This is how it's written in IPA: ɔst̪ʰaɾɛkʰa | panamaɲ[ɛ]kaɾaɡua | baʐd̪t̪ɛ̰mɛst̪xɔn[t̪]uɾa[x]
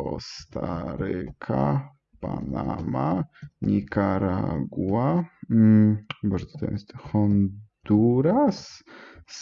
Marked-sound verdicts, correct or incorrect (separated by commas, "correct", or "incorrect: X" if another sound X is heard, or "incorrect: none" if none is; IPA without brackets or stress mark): incorrect: i, incorrect: d̪, incorrect: s